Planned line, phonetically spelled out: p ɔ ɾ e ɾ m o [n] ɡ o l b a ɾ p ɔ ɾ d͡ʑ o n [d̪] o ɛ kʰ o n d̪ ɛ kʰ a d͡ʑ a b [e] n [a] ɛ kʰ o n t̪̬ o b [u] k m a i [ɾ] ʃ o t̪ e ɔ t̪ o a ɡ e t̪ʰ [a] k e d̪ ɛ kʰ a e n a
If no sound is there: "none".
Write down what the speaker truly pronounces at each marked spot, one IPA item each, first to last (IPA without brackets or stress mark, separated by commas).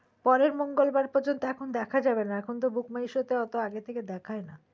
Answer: ŋ, t̪, e, a, u, none, e